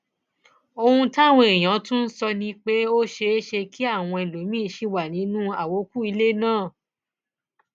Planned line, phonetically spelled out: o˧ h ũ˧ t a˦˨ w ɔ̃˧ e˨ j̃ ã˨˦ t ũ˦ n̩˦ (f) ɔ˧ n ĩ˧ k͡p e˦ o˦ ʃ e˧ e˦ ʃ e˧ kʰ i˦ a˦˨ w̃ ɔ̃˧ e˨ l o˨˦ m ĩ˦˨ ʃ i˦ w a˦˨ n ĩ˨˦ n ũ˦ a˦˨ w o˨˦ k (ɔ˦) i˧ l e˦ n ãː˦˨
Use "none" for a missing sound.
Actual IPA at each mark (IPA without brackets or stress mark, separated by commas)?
s, u˦